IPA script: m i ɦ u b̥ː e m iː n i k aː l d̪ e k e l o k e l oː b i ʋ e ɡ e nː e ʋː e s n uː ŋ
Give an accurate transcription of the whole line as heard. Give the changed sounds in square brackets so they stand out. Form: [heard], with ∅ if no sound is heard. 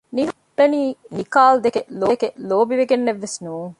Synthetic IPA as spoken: [n] i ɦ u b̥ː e [n] iː n i k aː l d̪ e k e l o k e l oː b i ʋ e ɡ e nː e ʋː e s n uː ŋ

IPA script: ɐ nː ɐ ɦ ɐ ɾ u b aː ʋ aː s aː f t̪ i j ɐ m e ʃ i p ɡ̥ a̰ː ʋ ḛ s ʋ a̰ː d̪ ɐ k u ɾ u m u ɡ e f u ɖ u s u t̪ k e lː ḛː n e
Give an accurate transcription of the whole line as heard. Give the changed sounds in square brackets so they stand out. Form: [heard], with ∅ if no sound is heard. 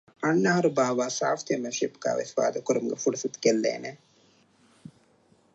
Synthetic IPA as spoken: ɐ nː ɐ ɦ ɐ ɾ u b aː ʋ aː s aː f t̪ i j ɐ m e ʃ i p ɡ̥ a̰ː ʋ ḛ s ʋ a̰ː d̪ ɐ k u ɾ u m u ɡ e f u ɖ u s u t̪ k e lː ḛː n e

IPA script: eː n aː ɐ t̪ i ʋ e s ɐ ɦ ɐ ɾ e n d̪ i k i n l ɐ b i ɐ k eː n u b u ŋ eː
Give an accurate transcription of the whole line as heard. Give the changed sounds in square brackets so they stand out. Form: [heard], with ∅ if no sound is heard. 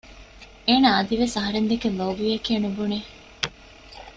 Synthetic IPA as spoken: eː n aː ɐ [d̪] i ʋ e s ɐ ɦ ɐ ɾ e n d̪ [e] k [e] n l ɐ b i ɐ k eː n u b u [n] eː

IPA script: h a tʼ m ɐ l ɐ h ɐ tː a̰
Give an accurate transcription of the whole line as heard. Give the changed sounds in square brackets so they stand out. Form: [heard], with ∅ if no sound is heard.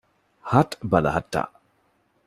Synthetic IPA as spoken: h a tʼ [b] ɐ l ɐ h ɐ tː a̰

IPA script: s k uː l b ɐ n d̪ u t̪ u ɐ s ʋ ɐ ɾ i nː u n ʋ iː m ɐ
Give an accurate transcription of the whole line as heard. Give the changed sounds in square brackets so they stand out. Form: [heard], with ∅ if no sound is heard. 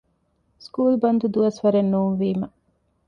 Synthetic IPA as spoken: s k uː l b ɐ n d̪ u [d̪] u ɐ s ʋ ɐ ɾ [e] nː [uː] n ʋ iː m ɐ

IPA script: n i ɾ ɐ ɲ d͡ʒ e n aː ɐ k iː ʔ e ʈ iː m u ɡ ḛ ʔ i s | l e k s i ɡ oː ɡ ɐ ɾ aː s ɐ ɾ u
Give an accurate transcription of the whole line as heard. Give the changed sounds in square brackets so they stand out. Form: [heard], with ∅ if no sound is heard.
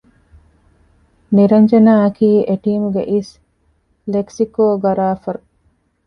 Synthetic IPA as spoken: n i ɾ ɐ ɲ d͡ʒ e n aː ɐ k iː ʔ e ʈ iː m u ɡ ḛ ʔ i s | l e k s i [k] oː ɡ ɐ ɾ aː [f] ɐ ɾ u

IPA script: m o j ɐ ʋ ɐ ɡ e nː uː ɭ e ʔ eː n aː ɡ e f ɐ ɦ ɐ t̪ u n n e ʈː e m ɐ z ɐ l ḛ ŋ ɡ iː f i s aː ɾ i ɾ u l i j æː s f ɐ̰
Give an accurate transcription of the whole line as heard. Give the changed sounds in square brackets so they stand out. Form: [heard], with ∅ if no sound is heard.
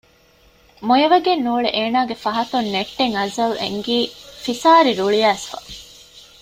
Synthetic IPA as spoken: m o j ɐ ʋ ɐ ɡ e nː uː ɭ e ʔ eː n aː ɡ e f ɐ ɦ ɐ t̪ u n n e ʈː e [ŋ] ɐ z ɐ l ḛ ŋ ɡ iː f i s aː ɾ i ɾ u [ɭ] i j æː s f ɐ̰

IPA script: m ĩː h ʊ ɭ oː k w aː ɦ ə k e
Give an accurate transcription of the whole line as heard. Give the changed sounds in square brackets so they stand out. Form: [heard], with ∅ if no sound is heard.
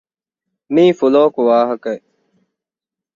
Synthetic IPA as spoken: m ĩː [f] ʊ [l] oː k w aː ɦ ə k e

